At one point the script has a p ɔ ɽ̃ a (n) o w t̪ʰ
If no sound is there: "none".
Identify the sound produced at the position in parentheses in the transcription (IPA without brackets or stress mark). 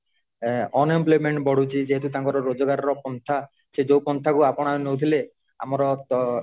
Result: n